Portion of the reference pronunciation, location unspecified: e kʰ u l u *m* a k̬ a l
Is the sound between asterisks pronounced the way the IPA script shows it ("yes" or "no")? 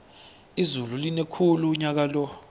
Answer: no